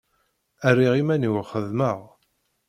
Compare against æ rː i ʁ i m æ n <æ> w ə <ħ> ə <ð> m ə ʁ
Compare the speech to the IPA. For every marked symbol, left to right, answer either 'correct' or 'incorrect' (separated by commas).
incorrect, incorrect, correct